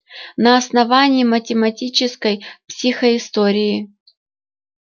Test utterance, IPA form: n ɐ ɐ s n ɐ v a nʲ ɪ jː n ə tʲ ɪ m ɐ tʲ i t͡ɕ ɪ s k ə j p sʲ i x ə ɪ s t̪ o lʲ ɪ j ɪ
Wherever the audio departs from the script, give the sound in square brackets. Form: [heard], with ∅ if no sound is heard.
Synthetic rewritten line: n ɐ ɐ s n ɐ v a nʲ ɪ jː [m] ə tʲ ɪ m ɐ tʲ i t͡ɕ ɪ s k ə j p sʲ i x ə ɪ s t̪ o [ɾʲ] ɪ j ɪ